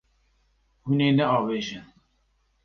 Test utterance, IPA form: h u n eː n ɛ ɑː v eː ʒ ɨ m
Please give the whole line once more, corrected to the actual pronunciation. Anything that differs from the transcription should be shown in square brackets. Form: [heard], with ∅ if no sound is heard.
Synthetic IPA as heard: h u n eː n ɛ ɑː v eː ʒ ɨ [n]